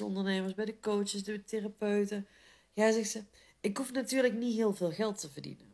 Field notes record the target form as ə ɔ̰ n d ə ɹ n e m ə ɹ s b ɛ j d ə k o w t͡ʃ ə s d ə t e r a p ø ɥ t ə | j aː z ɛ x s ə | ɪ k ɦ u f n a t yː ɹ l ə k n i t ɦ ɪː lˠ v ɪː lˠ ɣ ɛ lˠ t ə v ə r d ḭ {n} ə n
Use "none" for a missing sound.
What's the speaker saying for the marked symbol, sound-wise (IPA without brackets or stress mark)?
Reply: n